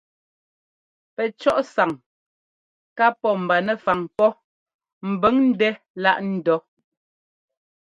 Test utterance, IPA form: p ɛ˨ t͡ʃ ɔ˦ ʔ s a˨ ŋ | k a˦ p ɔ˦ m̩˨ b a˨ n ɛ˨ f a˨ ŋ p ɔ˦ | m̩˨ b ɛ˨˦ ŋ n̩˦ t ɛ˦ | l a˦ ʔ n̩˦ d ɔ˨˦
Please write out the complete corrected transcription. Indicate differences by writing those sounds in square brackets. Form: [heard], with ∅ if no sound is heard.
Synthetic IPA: p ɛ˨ t͡ʃ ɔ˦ ʔ s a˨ ŋ | k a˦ p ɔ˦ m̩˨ b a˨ n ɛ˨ f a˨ ŋ p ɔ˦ | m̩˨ b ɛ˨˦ ŋ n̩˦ [d] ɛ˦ | l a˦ ʔ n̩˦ d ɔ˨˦